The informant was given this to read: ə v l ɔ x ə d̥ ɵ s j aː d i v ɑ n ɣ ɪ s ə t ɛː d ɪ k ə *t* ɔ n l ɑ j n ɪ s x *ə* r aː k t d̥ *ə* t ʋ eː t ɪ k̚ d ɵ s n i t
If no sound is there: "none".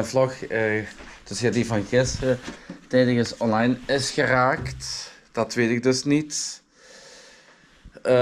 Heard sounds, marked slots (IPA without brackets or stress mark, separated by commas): s, ə, ɑ